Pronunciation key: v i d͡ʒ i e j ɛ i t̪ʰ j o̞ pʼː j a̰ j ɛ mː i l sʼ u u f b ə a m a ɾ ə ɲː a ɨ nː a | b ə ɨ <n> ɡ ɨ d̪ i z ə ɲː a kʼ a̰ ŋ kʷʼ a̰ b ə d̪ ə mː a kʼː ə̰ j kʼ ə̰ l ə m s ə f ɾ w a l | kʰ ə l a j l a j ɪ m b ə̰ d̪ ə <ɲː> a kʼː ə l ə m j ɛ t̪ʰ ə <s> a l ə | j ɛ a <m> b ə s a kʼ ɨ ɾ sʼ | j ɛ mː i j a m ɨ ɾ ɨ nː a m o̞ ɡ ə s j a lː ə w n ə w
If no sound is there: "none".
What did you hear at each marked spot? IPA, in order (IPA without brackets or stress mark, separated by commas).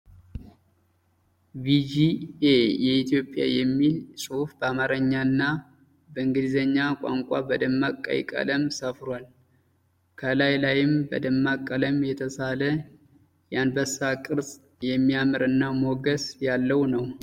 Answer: ŋ, mː, s, n